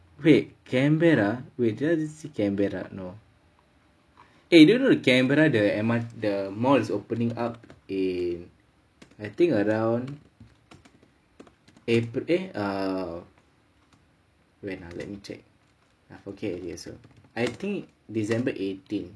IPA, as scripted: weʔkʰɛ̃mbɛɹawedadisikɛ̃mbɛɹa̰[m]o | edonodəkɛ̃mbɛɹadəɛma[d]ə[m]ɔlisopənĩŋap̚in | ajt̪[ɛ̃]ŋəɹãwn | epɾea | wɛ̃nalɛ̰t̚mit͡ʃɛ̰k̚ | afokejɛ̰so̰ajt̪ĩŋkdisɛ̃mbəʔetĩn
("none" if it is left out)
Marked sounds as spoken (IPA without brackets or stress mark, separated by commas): n, d, m, ĩ